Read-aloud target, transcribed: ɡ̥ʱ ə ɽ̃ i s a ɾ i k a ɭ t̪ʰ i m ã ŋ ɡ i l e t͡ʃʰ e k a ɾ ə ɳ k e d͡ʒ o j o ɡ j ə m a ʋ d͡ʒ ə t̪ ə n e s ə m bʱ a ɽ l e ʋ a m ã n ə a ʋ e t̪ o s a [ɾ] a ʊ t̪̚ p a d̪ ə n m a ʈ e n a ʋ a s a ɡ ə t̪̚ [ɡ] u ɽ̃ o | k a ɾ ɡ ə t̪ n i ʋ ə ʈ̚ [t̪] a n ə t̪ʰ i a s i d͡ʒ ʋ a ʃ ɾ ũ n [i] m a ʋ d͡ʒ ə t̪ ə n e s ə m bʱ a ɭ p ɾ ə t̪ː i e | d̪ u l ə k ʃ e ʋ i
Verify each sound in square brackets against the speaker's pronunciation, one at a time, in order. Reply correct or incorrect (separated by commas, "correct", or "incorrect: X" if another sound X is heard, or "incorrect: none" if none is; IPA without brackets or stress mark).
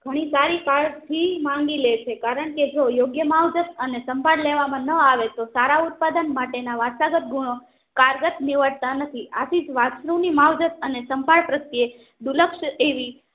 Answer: correct, correct, correct, correct